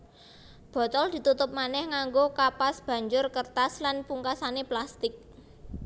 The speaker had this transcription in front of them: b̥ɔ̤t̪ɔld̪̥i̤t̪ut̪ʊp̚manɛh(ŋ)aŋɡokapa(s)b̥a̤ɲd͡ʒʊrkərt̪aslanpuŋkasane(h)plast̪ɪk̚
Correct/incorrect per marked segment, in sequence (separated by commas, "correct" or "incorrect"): correct, correct, incorrect